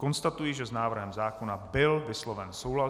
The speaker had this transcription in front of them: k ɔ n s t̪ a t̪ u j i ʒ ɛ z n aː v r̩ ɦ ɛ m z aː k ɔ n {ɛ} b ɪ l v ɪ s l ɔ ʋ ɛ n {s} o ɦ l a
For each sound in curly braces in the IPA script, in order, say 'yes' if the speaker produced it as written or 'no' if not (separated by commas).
no, yes